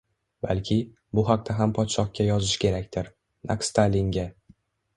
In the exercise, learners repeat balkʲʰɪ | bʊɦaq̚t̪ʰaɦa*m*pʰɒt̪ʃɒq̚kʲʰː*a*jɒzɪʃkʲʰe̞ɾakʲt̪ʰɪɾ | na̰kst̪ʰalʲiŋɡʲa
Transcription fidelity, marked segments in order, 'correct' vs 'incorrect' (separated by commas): correct, correct